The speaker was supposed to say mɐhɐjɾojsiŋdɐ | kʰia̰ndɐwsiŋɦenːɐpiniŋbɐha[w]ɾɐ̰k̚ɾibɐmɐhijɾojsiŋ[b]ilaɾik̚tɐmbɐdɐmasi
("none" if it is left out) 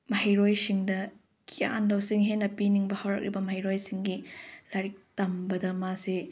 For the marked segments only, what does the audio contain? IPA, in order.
w, ɡ

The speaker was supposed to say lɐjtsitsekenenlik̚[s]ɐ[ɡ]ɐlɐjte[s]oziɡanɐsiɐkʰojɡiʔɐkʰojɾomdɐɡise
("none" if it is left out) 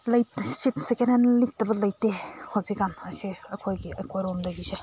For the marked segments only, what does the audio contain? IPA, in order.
t, b, h

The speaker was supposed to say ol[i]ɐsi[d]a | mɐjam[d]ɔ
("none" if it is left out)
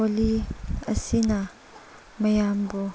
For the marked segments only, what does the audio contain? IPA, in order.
i, n, b

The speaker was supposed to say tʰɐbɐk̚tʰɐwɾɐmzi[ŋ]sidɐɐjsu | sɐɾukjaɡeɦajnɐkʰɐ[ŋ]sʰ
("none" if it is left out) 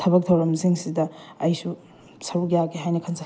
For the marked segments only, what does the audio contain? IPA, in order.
ŋ, n

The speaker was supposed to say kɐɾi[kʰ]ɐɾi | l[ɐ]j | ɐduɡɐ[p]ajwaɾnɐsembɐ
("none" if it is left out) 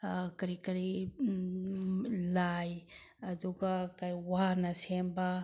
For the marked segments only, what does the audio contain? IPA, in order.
k, a, k

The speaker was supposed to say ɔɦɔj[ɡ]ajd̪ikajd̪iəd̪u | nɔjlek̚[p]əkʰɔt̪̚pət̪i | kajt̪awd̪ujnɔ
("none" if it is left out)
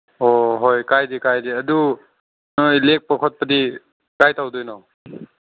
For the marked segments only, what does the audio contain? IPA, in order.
k, p

